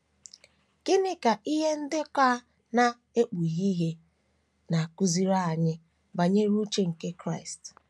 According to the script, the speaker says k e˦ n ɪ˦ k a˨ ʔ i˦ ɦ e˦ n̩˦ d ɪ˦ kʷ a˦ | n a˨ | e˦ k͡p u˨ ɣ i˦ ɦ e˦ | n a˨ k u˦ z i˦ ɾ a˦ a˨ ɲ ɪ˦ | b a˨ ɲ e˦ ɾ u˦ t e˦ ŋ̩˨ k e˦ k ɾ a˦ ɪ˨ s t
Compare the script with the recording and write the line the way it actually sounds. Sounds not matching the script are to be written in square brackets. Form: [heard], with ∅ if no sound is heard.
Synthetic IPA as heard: k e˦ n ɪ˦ k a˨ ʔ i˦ ɦ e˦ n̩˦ d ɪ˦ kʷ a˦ | n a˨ | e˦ k͡p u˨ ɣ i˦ ɦ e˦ | n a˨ k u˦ z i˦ ɾ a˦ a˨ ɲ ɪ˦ | b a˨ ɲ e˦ ɾ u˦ [t͡ʃ] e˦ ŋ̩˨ k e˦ k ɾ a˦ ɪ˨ s t